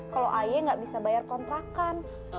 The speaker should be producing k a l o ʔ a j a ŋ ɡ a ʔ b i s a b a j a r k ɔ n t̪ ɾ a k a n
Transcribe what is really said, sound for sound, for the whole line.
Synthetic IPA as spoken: k a l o ʔ a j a ŋ ɡ a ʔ b i s a b a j a r k ɔ n t̪ ɾ a k a n